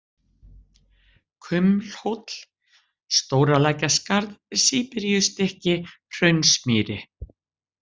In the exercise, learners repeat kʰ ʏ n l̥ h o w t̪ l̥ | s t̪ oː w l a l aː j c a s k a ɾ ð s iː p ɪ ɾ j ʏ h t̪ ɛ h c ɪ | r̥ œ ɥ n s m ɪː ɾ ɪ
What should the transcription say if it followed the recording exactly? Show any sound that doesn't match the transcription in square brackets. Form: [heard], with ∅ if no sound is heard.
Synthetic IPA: kʰ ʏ [m] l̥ h o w t̪ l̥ | s t̪ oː w [ɾ] a l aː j c a s k a ɾ ð s iː p ɪ ɾ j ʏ [s] t̪ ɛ h c ɪ | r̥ œ ɥ n s m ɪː ɾ ɪ